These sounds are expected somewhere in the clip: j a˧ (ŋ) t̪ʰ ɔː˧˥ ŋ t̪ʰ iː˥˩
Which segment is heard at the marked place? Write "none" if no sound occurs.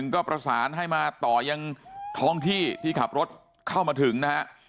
ŋ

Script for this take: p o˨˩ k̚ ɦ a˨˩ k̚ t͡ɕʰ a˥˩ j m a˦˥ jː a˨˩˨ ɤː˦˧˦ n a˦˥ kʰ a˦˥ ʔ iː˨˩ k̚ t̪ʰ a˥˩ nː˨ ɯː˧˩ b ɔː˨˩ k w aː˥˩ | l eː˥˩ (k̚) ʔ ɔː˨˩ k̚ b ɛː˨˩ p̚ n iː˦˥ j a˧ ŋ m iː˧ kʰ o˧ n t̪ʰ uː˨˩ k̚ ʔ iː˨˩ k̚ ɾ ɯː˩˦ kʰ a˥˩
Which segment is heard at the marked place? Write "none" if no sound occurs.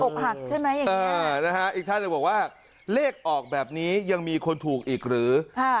k̚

